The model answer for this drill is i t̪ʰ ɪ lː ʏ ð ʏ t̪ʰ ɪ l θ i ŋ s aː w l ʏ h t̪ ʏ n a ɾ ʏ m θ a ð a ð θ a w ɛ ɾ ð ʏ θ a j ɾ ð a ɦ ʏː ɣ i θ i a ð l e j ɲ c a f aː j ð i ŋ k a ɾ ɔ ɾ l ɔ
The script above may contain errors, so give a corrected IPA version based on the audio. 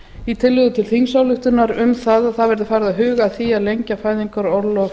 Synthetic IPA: i t̪ʰ ɪ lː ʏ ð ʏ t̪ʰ ɪ l θ i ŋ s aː w l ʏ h t̪ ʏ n a ɾ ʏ m θ a ð a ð θ a v ɛ ɾ ð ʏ f a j ɾ ð a ɦ ʏː ɣ a θ i a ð l e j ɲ c a f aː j ð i ŋ k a ɾ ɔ ɾ l ɔ